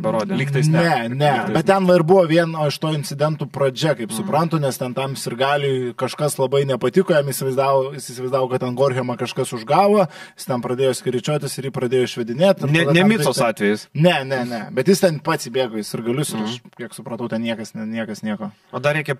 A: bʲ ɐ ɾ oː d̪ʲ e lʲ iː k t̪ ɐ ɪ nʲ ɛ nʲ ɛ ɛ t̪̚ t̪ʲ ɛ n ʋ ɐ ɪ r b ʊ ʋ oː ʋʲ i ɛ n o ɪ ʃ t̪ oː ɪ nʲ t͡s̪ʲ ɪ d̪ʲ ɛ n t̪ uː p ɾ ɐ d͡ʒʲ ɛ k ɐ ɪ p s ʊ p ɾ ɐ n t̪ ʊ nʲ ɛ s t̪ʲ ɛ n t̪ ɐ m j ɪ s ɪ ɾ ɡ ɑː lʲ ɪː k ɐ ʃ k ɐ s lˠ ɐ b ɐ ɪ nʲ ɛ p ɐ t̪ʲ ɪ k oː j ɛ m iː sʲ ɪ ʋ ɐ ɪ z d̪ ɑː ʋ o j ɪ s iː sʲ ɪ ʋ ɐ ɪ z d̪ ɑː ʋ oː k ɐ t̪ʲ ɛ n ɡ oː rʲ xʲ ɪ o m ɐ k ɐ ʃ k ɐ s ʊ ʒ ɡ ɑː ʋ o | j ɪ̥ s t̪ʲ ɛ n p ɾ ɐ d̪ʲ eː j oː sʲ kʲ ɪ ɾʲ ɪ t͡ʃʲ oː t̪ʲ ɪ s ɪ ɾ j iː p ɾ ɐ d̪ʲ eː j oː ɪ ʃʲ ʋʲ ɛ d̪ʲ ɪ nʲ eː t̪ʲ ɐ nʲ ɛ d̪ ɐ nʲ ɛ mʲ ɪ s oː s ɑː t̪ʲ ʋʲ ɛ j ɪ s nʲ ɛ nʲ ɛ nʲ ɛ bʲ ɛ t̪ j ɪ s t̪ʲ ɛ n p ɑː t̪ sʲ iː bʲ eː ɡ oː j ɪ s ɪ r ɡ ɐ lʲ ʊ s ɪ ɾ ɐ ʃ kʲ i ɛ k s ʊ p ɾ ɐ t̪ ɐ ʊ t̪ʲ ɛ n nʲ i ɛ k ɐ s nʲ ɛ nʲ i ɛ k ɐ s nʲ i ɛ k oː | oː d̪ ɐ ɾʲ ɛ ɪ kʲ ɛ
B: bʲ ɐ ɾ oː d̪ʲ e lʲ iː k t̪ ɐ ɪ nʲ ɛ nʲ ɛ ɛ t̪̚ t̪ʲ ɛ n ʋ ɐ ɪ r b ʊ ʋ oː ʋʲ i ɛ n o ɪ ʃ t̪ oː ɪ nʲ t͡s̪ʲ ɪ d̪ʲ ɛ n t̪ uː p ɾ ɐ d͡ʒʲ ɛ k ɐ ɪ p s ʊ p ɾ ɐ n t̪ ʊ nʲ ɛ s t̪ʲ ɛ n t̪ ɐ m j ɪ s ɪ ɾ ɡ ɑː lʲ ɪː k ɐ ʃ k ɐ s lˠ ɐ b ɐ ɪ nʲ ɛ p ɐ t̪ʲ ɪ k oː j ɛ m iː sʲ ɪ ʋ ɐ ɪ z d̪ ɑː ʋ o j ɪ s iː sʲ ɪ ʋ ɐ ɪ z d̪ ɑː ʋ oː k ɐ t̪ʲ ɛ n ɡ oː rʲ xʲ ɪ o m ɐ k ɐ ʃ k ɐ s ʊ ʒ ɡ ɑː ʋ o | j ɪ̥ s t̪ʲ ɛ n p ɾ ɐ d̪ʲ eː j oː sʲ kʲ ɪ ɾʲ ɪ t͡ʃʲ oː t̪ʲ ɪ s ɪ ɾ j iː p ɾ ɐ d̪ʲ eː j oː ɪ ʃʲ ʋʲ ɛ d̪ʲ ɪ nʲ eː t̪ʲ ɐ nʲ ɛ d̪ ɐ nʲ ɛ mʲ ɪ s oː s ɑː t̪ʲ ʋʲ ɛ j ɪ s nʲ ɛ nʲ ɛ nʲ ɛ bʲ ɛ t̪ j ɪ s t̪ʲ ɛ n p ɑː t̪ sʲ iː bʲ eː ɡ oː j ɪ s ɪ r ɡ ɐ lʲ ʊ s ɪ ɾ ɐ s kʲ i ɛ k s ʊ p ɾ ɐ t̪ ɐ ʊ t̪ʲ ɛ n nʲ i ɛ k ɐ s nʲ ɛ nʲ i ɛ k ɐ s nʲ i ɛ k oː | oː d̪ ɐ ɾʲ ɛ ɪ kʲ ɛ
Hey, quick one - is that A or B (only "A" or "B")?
A